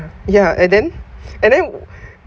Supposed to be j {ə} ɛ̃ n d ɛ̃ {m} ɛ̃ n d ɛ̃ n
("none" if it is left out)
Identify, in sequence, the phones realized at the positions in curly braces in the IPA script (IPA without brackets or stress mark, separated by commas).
a, n